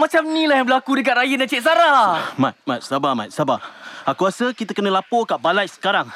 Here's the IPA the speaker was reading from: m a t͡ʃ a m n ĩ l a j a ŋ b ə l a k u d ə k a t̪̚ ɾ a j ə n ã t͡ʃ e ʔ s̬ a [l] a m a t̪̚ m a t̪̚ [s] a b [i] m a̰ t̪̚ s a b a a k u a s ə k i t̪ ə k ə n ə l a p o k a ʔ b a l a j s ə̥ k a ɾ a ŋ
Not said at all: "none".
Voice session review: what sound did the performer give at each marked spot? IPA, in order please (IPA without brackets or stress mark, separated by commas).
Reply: ɾ, s, a